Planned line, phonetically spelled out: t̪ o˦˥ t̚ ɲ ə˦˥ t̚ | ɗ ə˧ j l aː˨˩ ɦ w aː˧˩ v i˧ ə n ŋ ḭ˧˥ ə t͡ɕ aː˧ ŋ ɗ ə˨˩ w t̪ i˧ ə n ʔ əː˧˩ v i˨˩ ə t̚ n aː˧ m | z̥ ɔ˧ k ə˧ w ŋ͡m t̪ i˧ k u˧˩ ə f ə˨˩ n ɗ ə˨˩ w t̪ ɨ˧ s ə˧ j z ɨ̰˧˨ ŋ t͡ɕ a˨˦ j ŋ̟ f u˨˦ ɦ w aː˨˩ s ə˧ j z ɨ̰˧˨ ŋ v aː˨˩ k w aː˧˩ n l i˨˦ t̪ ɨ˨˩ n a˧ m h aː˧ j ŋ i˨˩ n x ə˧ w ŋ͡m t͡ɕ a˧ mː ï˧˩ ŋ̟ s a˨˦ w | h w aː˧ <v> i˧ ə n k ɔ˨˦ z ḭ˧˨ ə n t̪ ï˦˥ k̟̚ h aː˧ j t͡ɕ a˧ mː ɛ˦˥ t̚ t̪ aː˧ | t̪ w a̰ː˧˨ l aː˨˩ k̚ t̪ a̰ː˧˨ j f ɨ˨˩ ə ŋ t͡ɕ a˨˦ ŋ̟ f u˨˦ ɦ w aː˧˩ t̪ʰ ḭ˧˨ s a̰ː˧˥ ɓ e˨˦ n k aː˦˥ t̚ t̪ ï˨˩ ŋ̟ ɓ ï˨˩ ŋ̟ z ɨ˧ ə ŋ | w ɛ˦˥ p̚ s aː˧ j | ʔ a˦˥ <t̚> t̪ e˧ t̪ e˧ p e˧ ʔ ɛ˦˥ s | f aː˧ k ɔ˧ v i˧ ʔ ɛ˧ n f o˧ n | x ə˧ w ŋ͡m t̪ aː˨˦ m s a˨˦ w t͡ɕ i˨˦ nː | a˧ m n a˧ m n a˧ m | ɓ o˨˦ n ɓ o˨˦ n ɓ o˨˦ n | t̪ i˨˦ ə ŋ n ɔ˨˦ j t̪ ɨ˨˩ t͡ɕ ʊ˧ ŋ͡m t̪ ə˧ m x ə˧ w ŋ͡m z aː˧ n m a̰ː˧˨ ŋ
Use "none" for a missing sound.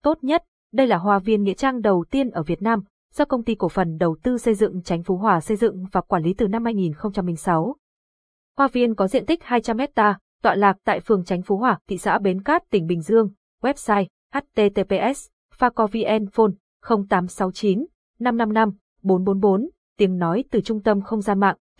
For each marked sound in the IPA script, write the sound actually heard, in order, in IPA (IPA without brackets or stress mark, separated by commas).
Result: v, t̚